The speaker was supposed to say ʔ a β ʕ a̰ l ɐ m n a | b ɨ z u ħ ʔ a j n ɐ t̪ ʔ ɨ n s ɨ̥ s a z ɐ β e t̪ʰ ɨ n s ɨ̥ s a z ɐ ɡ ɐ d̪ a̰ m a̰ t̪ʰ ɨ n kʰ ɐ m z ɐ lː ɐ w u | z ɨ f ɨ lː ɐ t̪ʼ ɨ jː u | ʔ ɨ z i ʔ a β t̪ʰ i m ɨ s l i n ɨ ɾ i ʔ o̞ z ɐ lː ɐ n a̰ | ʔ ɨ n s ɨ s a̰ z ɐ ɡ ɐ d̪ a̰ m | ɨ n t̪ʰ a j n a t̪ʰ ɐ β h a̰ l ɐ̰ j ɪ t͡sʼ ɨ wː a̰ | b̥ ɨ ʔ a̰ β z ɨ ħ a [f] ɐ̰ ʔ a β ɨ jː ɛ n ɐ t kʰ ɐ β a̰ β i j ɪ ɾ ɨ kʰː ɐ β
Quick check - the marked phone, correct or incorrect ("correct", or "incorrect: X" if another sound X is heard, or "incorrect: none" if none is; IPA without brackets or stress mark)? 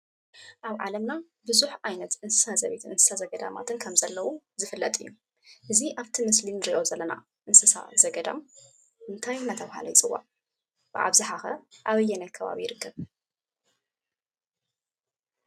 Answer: incorrect: x